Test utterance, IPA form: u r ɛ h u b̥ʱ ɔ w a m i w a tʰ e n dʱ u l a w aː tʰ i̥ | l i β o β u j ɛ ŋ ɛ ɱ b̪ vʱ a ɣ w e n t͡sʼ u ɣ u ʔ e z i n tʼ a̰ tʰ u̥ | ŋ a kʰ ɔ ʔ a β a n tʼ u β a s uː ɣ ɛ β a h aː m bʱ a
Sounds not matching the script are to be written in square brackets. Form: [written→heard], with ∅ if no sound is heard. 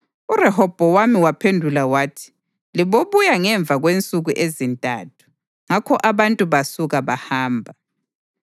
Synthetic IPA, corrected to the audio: u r ɛ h [u→ɔ] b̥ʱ ɔ w a m i w a [tʰ→pʰ] e n dʱ u l a w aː tʰ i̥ | l i β o β u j [ɛ→a] ŋ ɛ ɱ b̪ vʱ a ɣ w e n t͡sʼ u ɣ u ʔ e z i n tʼ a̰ tʰ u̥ | ŋ a kʰ ɔ ʔ a β a n tʼ u β a s [uː→u] ɣ [ɛ→a] β a h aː m bʱ a

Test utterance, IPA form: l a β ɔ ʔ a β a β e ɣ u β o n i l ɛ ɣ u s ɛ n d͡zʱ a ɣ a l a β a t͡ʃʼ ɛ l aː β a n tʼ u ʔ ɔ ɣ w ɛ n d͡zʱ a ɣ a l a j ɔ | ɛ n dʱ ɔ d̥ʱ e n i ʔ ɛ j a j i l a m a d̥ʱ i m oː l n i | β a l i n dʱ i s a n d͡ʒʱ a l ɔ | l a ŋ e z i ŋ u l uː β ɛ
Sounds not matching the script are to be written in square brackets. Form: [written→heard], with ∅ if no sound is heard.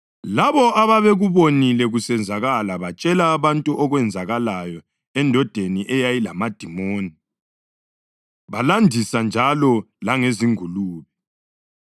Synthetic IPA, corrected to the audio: l a β ɔ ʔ a β a β e ɣ u β o n i l ɛ ɣ u s ɛ n d͡zʱ a ɣ a l a β a t͡ʃʼ ɛ l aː β a n tʼ u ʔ ɔ ɣ w ɛ n d͡zʱ a ɣ a l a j ɔ | ɛ n dʱ ɔ d̥ʱ e n i ʔ ɛ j a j i l a m a d̥ʱ i m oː [l→∅] n i | β a l [i→a] n dʱ i s a n d͡ʒʱ a l ɔ | l a ŋ e z i ŋ u l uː β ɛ

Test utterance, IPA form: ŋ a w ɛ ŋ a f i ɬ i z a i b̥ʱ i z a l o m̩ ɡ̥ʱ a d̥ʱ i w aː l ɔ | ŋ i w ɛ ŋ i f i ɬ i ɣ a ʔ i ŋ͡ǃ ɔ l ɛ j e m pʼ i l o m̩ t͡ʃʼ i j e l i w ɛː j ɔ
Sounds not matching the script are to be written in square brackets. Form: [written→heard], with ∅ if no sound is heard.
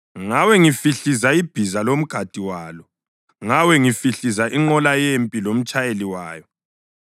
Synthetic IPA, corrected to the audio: ŋ a w ɛ ŋ [a→i] f i ɬ i z a i b̥ʱ i z a l o m̩ ɡ̥ʱ a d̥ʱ i w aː l ɔ | ŋ [i→a] w ɛ ŋ i f i ɬ i [ɣ→z] a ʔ i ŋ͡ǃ ɔ l [ɛ→a] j e m pʼ i l o m̩ t͡ʃʼ [i→a] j e l i w [ɛː→aː] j ɔ

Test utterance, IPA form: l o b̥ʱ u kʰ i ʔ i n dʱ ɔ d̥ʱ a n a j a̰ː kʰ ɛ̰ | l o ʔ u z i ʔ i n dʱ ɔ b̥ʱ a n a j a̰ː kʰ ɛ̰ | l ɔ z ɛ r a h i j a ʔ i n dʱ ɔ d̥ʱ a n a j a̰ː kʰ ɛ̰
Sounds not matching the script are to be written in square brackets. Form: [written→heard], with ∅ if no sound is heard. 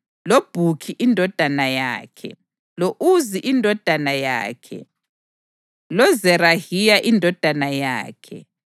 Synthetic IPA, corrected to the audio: l o b̥ʱ u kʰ i ʔ i n dʱ ɔ d̥ʱ a n a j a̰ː kʰ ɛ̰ | l o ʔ u z i ʔ i n dʱ ɔ [b̥ʱ→d̥ʱ] a n a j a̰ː kʰ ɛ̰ | l ɔ z ɛ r a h i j a ʔ i n dʱ ɔ d̥ʱ a n a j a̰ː kʰ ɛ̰

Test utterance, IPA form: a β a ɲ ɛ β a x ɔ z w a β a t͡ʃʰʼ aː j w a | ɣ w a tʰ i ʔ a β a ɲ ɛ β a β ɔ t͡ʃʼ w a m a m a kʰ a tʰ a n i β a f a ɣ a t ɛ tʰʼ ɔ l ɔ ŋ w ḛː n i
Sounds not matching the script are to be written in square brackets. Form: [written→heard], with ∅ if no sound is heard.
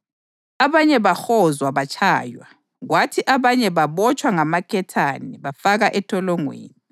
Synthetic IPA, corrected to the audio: a β a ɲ ɛ β a x ɔ z w a β a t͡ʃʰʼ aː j w a | ɣ w a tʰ i ʔ a β a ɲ ɛ β a β ɔ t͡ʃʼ w a [m→ŋ] a m a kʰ [a→ɛ] tʰ a n i β a f a ɣ a [t→ʔ] ɛ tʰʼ ɔ l ɔ ŋ w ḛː n i

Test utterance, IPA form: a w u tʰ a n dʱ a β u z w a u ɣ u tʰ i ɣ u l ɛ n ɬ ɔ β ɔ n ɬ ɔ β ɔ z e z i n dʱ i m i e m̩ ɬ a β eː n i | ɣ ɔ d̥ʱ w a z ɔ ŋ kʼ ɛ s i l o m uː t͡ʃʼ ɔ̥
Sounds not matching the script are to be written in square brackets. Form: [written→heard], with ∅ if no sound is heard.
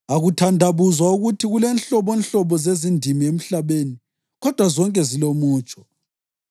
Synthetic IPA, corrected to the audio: a [w→ɣ] u tʰ a n dʱ a β u z w a u ɣ u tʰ i ɣ u l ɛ n ɬ ɔ β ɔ n ɬ ɔ β ɔ z e z i n dʱ i m i e m̩ ɬ a β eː n i | ɣ ɔ d̥ʱ w a z ɔ ŋ kʼ ɛ [s→z] i l o m uː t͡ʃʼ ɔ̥

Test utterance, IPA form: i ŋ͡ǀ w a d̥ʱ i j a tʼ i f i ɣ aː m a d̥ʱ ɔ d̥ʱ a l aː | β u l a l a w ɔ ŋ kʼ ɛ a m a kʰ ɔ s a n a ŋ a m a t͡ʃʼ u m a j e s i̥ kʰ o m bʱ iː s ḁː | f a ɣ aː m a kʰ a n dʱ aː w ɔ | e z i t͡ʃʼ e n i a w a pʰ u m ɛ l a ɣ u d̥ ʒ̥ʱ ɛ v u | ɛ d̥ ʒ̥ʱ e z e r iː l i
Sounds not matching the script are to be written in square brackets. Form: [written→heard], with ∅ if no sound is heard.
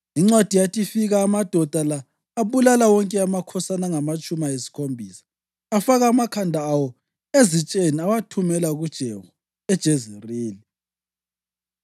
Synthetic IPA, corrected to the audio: i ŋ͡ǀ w a d̥ʱ i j a tʼ i f i ɣ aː m a d̥ʱ ɔ d̥ʱ a l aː | β u l a l a w ɔ ŋ kʼ ɛ a m a kʰ ɔ s a n a ŋ a m a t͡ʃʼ u m a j e s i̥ kʰ o m bʱ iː s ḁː | f a ɣ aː m a kʰ a n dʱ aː w ɔ | e z i t͡ʃʼ e n i a w a [pʰ→tʰ] u m ɛ l a ɣ u d̥ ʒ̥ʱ ɛ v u | ɛ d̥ ʒ̥ʱ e z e r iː l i

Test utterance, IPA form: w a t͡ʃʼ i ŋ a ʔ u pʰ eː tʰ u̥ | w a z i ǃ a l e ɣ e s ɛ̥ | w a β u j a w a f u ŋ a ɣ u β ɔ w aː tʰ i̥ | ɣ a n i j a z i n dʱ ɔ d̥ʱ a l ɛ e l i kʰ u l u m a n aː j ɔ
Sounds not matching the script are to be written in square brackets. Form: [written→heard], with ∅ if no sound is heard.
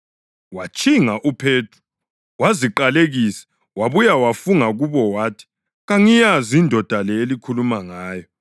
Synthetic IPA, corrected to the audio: w a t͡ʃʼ i ŋ a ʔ u pʰ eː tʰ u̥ | w a z i ǃ a l e ɣ [e→i] s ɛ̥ | w a β u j a w a f u ŋ a ɣ u β ɔ w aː tʰ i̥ | ɣ a [n→ŋ] i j a z i n dʱ ɔ d̥ʱ a l ɛ e l i kʰ u l u m a [n→ŋ] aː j ɔ

